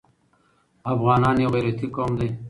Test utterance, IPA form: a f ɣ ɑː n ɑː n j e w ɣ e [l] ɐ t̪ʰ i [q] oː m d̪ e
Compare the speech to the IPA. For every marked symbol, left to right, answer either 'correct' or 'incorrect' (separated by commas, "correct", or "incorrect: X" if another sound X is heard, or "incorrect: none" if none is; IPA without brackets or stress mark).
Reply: incorrect: ɾ, incorrect: k